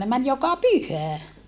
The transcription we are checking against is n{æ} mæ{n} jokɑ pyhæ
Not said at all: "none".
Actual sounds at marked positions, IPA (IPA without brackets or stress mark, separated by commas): e, n